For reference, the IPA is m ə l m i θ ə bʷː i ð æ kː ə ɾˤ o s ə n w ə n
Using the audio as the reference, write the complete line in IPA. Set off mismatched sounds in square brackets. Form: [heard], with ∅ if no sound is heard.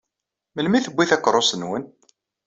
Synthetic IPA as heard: m ə l m i θ ə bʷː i [θ] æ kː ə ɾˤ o s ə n w ə n